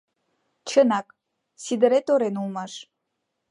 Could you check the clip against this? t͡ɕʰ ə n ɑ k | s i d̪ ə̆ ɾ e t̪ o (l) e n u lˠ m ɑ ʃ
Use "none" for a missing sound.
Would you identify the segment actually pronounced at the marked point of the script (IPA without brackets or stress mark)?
ɾ